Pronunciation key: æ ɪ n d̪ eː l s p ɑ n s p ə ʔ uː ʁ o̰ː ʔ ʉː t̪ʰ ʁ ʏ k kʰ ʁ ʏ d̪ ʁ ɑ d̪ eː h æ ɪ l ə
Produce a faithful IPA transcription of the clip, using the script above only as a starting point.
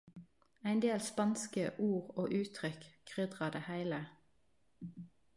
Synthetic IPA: æ ɪ n d̪ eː l s p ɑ n s k ə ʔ uː ʁ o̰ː ʔ ʉː t̪ʰ ʁ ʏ k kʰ ʁ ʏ d̪ ʁ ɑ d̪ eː h æ ɪ l ə